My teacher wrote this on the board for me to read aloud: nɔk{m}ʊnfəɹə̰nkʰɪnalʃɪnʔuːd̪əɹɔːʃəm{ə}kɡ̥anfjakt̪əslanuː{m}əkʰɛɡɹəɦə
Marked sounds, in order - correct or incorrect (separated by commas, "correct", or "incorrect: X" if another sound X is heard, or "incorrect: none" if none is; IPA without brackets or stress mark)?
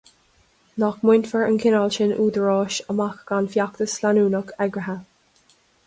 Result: correct, incorrect: a, incorrect: n